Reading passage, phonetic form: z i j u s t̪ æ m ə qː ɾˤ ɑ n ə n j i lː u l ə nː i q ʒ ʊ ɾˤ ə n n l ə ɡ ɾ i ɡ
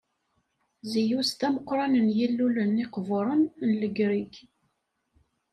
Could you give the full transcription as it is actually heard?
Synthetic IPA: z i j u s t̪ æ m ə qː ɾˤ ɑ n ə n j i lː u l ə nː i q v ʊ ɾˤ ə n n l ə ɡ ɾ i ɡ